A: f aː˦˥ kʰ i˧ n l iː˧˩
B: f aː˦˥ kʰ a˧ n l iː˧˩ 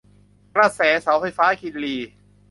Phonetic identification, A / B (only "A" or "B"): A